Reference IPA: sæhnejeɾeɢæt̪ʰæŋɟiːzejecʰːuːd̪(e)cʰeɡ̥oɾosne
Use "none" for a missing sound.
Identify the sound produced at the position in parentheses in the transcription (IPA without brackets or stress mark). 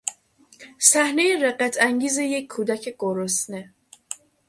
æ